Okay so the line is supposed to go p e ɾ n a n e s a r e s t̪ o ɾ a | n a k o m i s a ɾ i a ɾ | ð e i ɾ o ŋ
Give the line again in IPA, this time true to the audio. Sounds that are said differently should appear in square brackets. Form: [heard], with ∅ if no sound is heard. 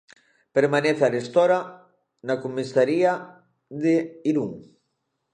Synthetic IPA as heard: p e ɾ [m] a n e [θ] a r e s t̪ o ɾ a | n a k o m i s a ɾ i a [∅] | ð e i ɾ [u] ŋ